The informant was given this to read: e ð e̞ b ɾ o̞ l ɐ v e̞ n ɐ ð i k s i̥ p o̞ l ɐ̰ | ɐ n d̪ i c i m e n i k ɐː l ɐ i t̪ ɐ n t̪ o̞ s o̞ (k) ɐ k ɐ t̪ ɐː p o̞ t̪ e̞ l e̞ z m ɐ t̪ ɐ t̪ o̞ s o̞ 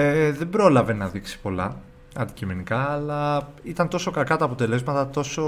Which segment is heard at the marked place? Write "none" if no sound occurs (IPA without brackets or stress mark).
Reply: k